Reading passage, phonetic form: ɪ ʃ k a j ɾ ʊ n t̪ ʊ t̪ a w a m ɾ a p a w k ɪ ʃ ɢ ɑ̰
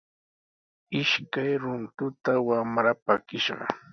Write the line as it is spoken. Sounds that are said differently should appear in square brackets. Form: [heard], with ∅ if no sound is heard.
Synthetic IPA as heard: ɪ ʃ k a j ɾ ʊ n t̪ ʊ t̪ a w a m ɾ a p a [∅] k ɪ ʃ ɢ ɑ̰